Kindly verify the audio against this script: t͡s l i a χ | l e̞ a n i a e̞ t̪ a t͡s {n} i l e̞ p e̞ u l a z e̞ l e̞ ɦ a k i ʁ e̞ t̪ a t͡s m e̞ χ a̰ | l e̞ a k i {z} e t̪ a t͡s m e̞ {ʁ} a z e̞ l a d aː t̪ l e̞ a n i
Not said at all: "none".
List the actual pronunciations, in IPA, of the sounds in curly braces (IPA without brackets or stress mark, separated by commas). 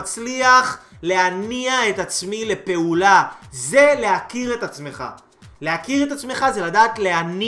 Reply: m, ʁ, χ